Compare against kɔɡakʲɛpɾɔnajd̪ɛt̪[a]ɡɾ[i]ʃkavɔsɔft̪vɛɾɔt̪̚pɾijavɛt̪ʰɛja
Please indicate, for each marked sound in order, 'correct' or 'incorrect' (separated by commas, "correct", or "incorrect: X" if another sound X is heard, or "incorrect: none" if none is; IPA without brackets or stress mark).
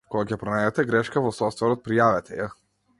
incorrect: ɛ, incorrect: ɛ